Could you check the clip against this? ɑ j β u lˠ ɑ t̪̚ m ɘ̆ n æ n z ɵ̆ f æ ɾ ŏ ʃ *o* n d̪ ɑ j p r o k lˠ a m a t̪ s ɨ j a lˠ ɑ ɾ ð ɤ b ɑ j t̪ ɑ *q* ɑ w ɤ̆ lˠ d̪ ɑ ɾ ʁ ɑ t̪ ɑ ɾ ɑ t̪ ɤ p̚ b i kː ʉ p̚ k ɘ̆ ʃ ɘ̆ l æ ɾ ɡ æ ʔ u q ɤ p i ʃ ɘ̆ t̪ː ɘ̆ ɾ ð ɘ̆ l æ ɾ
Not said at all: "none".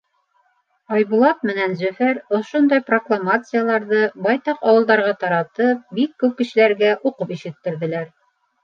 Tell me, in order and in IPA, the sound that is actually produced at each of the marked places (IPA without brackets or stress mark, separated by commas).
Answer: o, q